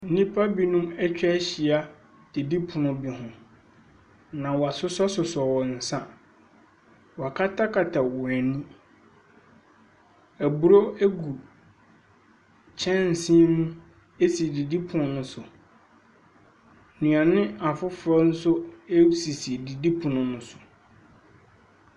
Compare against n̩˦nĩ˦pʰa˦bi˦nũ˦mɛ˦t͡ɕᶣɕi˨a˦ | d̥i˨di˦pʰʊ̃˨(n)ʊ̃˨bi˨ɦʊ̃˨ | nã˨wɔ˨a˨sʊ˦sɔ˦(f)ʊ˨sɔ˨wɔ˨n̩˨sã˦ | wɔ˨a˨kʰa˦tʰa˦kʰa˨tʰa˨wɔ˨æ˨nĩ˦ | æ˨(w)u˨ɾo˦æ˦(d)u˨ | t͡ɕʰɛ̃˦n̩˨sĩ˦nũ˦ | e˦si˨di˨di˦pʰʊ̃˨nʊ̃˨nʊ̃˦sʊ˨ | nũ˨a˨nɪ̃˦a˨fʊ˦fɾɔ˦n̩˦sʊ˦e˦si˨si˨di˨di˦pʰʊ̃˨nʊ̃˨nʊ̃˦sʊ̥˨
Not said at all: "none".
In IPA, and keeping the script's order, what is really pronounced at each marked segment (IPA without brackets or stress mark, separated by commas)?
n, s, b, ɡ